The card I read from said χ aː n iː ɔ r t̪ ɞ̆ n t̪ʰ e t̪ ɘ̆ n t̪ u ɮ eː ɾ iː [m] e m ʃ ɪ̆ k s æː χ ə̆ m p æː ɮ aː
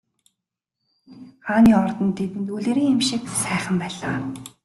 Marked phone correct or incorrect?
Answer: incorrect